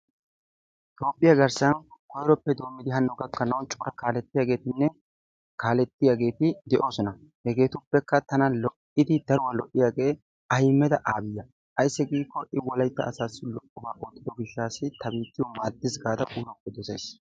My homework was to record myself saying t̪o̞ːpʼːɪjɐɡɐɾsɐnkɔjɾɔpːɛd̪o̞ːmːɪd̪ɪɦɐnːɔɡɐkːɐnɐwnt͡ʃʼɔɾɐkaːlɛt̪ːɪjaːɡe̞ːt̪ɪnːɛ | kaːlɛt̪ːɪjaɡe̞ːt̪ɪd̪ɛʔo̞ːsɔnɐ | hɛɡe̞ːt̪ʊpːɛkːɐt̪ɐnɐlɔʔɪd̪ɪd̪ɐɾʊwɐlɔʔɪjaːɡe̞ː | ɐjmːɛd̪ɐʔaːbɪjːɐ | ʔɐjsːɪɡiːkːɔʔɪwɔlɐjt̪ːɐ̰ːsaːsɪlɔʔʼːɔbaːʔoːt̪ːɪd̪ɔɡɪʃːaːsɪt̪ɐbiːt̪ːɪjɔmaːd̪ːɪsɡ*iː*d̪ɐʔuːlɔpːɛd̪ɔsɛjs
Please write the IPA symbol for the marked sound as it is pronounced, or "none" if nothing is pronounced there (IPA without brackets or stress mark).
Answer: aː